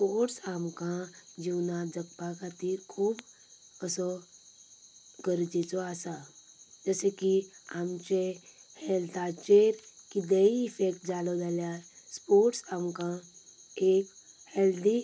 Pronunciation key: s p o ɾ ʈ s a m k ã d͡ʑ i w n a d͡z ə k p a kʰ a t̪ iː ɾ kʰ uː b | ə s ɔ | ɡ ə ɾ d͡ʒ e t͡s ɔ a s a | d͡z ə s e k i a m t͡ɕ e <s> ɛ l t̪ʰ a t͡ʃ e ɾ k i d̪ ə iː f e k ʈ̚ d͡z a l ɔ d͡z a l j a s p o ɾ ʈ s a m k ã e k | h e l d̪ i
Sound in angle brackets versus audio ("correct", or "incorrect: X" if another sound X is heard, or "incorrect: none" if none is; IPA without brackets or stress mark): incorrect: h